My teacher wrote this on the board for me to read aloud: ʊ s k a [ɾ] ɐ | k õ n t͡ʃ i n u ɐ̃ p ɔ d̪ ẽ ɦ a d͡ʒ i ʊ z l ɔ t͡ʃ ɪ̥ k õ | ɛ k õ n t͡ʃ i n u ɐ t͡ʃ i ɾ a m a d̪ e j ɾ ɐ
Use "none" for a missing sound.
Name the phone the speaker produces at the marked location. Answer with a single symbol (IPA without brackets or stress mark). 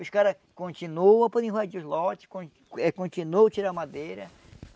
ɾ